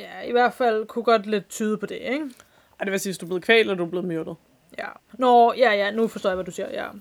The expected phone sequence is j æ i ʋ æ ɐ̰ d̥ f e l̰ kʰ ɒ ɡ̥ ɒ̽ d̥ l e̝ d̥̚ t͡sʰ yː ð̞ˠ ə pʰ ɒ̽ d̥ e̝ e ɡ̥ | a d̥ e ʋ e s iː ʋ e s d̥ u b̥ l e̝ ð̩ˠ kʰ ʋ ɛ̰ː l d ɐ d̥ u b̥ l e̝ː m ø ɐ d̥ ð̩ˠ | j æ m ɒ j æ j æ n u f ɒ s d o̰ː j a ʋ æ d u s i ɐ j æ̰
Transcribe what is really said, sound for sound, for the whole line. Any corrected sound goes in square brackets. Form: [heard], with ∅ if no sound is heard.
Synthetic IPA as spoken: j æ i ʋ æ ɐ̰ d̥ f [æ] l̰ kʰ [u] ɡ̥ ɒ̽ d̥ l e̝ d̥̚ t͡sʰ yː ð̞ˠ ə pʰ ɒ̽ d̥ e̝ e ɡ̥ | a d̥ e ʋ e s iː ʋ e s d̥ u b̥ l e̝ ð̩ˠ kʰ ʋ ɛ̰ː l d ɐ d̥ u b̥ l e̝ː m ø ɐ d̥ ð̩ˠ | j æ [n] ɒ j æ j æ n u f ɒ s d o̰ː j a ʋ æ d u s i ɐ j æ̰